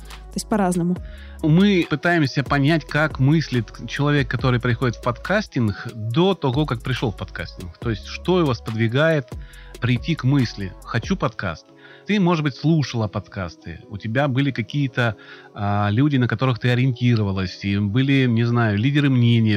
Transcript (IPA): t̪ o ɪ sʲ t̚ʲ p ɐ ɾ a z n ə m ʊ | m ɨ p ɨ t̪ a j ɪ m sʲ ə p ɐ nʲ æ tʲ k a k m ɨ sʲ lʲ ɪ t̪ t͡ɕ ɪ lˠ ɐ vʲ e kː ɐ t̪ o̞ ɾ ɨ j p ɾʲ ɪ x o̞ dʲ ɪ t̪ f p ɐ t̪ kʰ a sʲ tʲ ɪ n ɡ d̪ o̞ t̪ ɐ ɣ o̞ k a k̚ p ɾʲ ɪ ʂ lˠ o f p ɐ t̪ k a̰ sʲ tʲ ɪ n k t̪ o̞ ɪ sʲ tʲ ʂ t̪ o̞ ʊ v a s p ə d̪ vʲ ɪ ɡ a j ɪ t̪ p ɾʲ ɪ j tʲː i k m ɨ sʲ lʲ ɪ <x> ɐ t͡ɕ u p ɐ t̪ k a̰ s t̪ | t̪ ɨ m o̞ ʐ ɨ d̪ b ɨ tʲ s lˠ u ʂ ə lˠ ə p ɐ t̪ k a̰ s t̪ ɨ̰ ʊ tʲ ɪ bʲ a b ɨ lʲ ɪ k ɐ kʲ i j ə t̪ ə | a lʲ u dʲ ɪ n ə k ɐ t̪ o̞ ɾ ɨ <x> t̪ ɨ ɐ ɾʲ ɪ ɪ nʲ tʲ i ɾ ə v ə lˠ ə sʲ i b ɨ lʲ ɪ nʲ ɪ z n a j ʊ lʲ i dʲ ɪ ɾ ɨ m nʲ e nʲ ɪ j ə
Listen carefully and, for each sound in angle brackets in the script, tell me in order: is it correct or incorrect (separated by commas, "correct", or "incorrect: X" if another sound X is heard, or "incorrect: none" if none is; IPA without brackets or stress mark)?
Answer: correct, correct